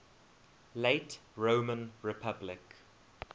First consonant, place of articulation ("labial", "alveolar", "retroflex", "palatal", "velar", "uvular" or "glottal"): alveolar